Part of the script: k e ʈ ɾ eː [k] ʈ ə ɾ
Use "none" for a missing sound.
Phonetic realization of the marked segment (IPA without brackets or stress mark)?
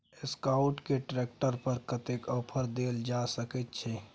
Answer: k